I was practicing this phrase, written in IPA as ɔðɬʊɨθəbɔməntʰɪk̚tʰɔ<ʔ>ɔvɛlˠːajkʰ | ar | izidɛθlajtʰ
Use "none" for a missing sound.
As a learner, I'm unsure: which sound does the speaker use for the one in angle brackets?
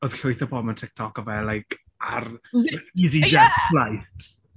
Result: k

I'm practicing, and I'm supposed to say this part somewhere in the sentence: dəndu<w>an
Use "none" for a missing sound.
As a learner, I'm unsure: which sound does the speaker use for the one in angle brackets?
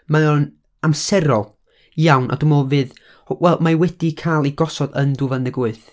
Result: v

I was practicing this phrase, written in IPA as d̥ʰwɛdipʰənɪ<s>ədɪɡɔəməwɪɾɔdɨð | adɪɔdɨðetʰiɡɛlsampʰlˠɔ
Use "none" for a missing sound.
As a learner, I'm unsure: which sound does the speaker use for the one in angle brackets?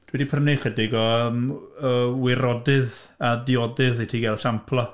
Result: χ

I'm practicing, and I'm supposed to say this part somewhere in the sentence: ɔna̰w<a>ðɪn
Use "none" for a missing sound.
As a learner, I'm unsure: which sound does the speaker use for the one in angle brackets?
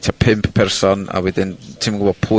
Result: ɛ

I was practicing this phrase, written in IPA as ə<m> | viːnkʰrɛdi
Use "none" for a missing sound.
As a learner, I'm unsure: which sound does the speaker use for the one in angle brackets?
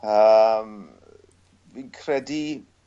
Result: m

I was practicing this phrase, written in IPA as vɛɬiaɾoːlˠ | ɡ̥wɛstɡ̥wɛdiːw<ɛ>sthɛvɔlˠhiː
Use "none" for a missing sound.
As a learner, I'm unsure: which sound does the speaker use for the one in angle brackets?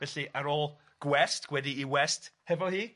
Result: ɛ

